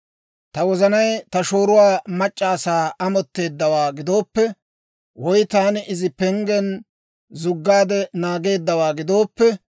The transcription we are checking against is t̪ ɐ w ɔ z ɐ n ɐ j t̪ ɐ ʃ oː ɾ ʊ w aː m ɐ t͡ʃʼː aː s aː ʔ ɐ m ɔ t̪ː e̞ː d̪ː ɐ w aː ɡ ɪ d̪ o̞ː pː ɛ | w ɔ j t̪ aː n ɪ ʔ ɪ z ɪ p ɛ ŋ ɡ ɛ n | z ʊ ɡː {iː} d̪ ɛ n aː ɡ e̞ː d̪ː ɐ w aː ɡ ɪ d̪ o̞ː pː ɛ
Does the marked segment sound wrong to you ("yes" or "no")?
yes